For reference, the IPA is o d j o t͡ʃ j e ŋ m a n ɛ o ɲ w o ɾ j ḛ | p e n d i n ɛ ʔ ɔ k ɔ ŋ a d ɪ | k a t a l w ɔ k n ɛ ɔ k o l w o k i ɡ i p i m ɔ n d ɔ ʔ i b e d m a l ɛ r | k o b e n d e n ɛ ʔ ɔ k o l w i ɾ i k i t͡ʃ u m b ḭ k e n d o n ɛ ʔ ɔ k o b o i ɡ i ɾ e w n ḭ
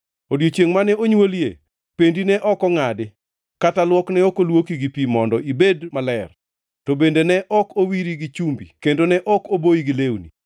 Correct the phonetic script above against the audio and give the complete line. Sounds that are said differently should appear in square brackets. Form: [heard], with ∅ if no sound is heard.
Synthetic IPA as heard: o d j o t͡ʃ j e ŋ m a n ɛ o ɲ w o [l] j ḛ | p e n d i n ɛ ʔ ɔ k ɔ ŋ a d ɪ | k a t a l w ɔ k n ɛ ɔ k o l w o k i ɡ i p i m ɔ n d ɔ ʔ i b e d m a l ɛ r | [t] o b e n d e n ɛ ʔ ɔ k o [∅] w i ɾ i [ɡ] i t͡ʃ u m b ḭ k e n d o n ɛ ʔ ɔ k o b o i ɡ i [l] e w n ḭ

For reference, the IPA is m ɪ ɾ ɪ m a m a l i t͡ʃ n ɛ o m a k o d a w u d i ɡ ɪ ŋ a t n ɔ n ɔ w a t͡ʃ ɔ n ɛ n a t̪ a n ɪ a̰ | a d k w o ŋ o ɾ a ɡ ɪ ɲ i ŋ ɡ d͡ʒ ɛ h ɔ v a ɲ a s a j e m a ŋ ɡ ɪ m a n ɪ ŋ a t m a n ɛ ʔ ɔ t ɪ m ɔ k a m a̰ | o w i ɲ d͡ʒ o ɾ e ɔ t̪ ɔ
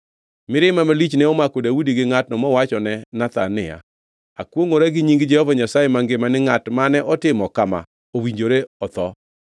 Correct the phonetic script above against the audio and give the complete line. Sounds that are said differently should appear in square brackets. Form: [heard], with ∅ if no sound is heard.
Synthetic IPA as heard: m ɪ ɾ ɪ m a m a l i t͡ʃ n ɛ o m a k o d a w u d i ɡ ɪ ŋ a t n ɔ [m] ɔ w a t͡ʃ ɔ n ɛ n a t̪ a n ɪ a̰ | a [∅] k w o ŋ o ɾ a ɡ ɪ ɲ i ŋ ɡ d͡ʒ ɛ h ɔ v a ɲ a s a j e m a ŋ ɡ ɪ m a n ɪ ŋ a t m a n ɛ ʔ ɔ t ɪ m ɔ k a m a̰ | o w i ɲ d͡ʒ o ɾ e ɔ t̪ ɔ

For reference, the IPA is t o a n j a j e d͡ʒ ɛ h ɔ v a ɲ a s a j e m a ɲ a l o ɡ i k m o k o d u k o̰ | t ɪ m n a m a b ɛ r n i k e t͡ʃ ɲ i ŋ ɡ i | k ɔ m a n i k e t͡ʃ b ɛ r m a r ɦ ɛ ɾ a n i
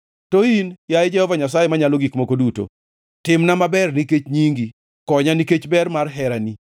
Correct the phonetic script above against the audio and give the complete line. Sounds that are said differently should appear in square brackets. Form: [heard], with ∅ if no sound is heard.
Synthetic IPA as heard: t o [i] n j a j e d͡ʒ ɛ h ɔ v a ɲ a s a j e m a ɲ a l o ɡ i k m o k o d u [t] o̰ | t ɪ m n a m a b ɛ r n i k e t͡ʃ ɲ i ŋ ɡ i | k ɔ [ɲ] a n i k e t͡ʃ b ɛ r m a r ɦ ɛ ɾ a n i

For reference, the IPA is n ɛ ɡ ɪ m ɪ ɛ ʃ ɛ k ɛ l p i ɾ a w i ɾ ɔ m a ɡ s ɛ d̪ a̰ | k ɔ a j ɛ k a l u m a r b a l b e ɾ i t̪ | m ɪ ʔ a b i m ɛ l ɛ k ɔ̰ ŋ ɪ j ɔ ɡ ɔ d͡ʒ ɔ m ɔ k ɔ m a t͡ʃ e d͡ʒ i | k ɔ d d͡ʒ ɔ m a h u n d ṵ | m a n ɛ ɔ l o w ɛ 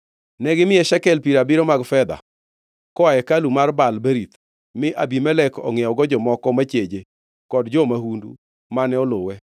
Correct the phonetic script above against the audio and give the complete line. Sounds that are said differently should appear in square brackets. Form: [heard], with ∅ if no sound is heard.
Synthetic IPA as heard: n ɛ ɡ ɪ m ɪ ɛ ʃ ɛ k ɛ l p i ɾ a [b] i ɾ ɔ m a ɡ [f] ɛ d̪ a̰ | k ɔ a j ɛ k a l u m a r b a l b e ɾ i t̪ | m ɪ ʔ a b i m ɛ l ɛ k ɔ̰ ŋ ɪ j ɔ ɡ ɔ d͡ʒ ɔ m ɔ k ɔ m a t͡ʃ e d͡ʒ [e] | k ɔ d d͡ʒ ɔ m a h u n d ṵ | m a n ɛ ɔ l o w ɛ

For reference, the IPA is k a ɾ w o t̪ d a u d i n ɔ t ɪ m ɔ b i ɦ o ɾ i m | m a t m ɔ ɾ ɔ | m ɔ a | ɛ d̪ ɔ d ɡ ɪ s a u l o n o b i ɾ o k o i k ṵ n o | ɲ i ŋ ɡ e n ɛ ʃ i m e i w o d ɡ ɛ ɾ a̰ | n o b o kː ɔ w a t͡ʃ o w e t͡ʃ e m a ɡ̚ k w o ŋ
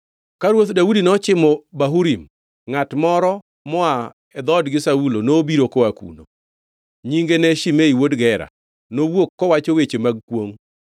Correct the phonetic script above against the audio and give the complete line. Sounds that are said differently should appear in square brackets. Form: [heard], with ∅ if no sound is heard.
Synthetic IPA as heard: k a ɾ w o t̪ d a u d i n ɔ [t͡ʃ] ɪ m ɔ b [a] ɦ [u] ɾ i m | [ŋ] a t m ɔ ɾ ɔ | m ɔ a | ɛ d̪ ɔ d ɡ ɪ s a u l o n o b i ɾ o k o [a] k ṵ n o | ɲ i ŋ ɡ e n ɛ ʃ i m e i w o d ɡ ɛ ɾ a̰ | n o [w] o kː ɔ w a t͡ʃ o w e t͡ʃ e m a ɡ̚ k w o ŋ

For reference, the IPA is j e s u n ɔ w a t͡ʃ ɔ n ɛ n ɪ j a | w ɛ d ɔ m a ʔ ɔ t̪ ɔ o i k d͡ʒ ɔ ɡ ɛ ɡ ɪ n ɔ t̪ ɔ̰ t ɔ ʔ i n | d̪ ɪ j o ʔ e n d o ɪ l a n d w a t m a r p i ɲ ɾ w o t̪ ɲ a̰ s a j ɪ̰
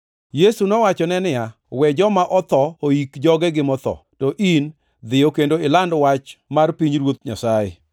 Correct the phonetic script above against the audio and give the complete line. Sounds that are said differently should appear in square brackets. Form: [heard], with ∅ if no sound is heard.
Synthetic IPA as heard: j e s u n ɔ w a t͡ʃ ɔ n ɛ n ɪ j a | w ɛ [d͡ʒ] ɔ m a ʔ ɔ t̪ ɔ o i k d͡ʒ ɔ ɡ ɛ ɡ ɪ [m] ɔ t̪ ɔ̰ t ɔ ʔ i n | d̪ ɪ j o [k] e n d o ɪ l a n d w a [t͡ʃ] m a r p i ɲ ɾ w o t̪ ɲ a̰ s a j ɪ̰

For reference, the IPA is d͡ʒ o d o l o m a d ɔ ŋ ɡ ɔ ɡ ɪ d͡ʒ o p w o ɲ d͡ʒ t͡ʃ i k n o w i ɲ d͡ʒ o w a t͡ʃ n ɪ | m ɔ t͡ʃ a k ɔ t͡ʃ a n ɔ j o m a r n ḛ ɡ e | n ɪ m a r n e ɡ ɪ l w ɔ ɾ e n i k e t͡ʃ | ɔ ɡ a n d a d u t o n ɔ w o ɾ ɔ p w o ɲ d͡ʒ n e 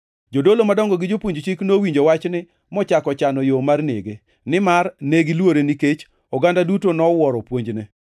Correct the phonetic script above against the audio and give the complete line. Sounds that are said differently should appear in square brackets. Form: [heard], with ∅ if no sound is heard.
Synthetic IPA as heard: d͡ʒ o d o l o m a d ɔ ŋ ɡ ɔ ɡ ɪ d͡ʒ o p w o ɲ d͡ʒ t͡ʃ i k n o w i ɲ d͡ʒ o w a t͡ʃ n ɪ | m ɔ t͡ʃ a k ɔ t͡ʃ a n ɔ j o m a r n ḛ ɡ e | n ɪ m a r n e ɡ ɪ l w [o] ɾ e n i k e t͡ʃ | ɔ ɡ a n d a d u t o n ɔ w [ɔ] ɾ ɔ p w o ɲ d͡ʒ n e

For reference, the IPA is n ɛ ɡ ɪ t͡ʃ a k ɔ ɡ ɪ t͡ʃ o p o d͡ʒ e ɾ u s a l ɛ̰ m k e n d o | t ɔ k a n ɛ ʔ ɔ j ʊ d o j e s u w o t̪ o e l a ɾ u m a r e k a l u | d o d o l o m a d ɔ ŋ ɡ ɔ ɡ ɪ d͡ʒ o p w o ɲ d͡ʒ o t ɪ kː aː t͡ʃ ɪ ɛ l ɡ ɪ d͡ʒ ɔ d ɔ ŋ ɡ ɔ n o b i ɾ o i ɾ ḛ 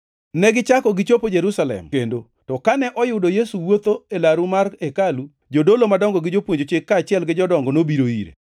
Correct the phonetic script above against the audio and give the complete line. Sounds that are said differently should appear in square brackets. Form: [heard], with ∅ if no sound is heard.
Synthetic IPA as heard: n ɛ ɡ ɪ t͡ʃ a k ɔ ɡ ɪ t͡ʃ o p o d͡ʒ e ɾ u s a l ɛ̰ m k e n d o | t ɔ k a n ɛ ʔ ɔ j ʊ d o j e s u w o t̪ o e l a ɾ u m a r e k a l u | [d͡ʒ] o d o l o m a d ɔ ŋ ɡ ɔ ɡ ɪ d͡ʒ o p w o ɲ d͡ʒ o [t͡ʃ] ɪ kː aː t͡ʃ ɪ ɛ l ɡ ɪ d͡ʒ ɔ d ɔ ŋ ɡ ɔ n o b i ɾ o i ɾ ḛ

